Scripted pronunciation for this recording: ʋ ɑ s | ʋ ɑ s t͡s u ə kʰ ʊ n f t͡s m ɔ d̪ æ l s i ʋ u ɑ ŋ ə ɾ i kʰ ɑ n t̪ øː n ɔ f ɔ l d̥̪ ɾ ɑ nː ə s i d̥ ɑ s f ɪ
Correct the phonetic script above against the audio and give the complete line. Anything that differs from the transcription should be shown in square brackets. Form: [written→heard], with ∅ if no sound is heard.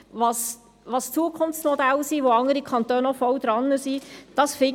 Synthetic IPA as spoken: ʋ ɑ s | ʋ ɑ s t͡s u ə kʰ ʊ n f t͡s m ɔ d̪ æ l s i ʋ [u→o] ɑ ŋ ə ɾ i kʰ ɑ n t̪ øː n ɔ f ɔ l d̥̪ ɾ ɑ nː ə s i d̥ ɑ s f ɪ